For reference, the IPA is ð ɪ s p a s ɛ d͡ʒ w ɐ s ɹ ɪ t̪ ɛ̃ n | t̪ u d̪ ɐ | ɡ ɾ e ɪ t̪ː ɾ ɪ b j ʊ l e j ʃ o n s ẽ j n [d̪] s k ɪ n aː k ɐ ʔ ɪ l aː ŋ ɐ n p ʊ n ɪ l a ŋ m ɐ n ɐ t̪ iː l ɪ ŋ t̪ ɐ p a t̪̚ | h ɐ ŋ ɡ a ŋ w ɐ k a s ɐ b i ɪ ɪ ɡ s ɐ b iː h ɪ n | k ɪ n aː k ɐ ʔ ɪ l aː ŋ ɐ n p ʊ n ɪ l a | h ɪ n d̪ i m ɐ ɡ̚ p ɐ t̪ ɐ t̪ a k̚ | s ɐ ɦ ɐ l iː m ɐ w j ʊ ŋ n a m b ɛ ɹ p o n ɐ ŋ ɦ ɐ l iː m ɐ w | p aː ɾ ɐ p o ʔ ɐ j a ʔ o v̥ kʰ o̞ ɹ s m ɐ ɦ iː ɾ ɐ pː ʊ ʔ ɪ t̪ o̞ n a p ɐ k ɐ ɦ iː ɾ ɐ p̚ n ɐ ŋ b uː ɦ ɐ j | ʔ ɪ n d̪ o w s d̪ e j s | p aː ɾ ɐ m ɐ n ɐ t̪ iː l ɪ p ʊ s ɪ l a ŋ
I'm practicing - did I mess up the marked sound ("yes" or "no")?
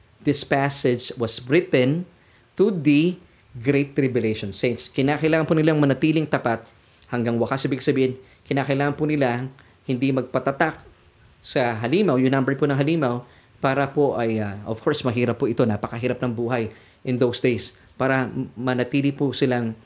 yes